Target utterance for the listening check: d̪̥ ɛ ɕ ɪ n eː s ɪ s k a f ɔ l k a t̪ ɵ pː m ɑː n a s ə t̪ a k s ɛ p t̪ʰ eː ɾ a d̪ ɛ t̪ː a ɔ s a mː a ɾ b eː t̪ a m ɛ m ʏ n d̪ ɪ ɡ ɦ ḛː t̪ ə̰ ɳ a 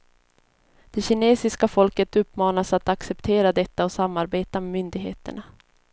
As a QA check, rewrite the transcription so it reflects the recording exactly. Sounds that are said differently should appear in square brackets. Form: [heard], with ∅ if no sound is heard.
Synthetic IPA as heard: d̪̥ ɛ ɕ ɪ n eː s ɪ s k a f ɔ l k [ə] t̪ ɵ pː m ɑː n a s [a] t̪ a k s ɛ p t̪ʰ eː ɾ a d̪ ɛ t̪ː a ɔ s a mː a ɾ b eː t̪ a m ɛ m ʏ n d̪ ɪ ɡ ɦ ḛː t̪ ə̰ ɳ a